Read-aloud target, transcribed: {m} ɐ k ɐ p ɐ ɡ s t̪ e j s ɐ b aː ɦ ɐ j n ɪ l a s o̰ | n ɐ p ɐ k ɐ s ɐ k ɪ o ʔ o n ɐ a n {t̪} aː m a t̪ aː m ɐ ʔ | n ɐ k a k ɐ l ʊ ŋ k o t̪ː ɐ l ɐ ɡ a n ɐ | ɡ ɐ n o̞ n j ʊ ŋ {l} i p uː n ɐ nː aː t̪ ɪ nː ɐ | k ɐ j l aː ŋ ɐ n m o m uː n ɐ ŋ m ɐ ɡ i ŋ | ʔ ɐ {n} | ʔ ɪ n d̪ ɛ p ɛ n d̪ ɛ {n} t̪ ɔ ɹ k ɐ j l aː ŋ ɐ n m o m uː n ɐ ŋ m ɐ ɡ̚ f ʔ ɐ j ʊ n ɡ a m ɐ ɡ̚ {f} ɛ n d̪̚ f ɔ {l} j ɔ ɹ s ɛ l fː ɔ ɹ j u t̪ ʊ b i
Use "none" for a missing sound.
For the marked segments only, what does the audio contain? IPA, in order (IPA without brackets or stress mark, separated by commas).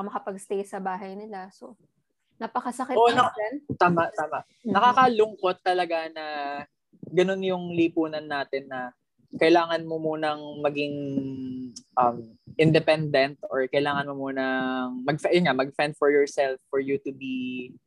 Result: m, t̪, l, m, n, f, ɹ